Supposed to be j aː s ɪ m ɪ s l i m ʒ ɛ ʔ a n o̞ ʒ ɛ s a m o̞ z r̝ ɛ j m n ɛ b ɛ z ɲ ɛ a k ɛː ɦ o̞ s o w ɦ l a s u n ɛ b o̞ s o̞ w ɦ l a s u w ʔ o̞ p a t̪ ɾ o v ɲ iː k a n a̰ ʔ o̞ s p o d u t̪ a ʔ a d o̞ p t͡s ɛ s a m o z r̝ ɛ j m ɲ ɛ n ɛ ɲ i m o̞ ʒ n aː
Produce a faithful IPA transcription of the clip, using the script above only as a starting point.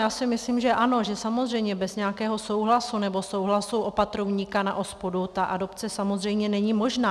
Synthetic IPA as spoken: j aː s ɪ m ɪ s l i m ʒ ɛ ʔ a n o̞ ʒ ɛ s a m o̞ z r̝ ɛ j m ɲ ɛ b ɛ z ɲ ɛ a k ɛː ɦ o̞ s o w ɦ l a s u n ɛ b o̞ s o̞ w ɦ l a s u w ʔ o̞ p a t̪ ɾ o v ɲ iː k a n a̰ ʔ o̞ s p o d u t̪ a ʔ a d o̞ p t͡s ɛ s a m o z r̝ ɛ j m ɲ ɛ n ɛ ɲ i m o̞ ʒ n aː